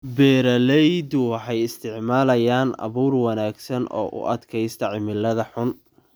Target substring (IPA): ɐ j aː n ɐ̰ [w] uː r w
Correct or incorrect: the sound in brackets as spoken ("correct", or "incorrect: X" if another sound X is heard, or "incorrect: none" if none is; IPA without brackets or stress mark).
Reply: incorrect: β